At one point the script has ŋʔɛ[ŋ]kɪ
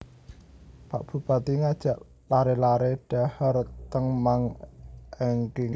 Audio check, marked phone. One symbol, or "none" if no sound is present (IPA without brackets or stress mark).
ŋ